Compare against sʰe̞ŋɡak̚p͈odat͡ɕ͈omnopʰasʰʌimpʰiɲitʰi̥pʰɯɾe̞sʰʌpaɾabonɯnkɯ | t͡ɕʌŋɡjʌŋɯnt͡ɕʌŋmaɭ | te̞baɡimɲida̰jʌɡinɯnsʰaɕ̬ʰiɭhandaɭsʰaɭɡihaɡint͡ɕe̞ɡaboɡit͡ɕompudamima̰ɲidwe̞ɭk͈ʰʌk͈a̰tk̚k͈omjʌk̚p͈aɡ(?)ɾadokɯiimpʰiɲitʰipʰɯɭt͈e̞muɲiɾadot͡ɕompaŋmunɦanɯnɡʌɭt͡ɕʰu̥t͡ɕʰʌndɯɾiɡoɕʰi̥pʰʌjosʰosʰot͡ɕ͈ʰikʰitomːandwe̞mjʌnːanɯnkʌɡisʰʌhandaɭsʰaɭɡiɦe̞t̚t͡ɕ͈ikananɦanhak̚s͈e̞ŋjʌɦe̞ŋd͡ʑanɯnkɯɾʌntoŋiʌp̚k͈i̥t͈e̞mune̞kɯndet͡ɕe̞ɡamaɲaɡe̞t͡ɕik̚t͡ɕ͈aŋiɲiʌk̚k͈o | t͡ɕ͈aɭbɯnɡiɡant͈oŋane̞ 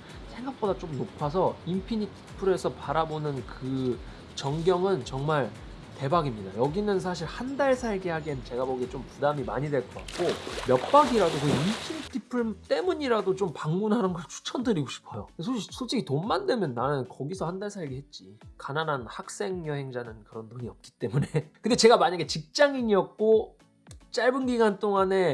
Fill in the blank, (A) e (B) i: B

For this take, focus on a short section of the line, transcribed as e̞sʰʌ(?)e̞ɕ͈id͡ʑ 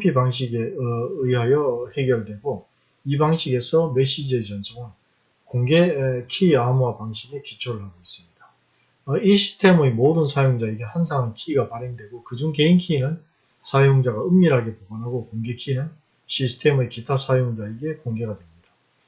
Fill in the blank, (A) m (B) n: A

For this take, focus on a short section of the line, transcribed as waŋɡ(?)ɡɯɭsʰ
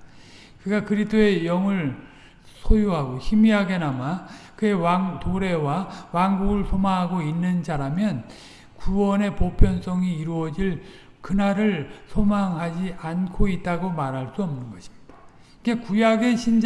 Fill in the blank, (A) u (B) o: A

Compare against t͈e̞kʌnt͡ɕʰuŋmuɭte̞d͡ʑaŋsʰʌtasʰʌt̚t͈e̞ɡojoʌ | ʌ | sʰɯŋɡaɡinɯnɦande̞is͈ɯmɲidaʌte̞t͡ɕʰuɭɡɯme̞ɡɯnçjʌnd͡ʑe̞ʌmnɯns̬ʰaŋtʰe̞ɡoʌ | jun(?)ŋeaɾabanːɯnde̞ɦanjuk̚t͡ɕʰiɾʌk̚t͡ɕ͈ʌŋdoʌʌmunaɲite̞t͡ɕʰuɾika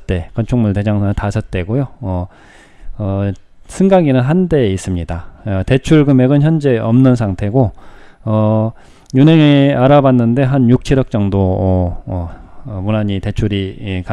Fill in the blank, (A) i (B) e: B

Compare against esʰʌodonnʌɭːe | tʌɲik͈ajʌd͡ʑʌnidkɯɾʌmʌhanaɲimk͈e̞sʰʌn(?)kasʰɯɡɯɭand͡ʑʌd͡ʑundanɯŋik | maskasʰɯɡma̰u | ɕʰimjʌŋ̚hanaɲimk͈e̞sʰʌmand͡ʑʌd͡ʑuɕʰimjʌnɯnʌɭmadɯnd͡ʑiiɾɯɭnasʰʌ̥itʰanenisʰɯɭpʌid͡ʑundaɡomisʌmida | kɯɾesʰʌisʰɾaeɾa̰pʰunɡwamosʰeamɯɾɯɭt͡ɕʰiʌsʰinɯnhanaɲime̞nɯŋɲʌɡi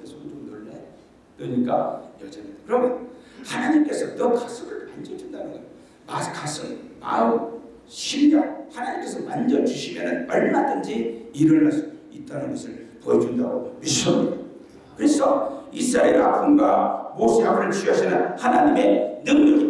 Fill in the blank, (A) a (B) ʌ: B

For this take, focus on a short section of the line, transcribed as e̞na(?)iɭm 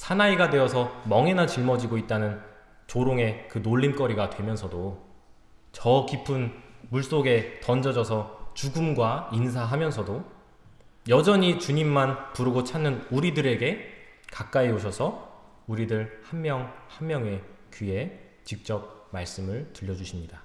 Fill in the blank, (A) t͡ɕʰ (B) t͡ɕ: B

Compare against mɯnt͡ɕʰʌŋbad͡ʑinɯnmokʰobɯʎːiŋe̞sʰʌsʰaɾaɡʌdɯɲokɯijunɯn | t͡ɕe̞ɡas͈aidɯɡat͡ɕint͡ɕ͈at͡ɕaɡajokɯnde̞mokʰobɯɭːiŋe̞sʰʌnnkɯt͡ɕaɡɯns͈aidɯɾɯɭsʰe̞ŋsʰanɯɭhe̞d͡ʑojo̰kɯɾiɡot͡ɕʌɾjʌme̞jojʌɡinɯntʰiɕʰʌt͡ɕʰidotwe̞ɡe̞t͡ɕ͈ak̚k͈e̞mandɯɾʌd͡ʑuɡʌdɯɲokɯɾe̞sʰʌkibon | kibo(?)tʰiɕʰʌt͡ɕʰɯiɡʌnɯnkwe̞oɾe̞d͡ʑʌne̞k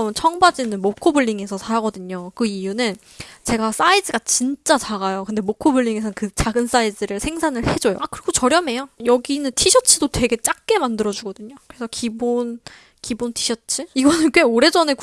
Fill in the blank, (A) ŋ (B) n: B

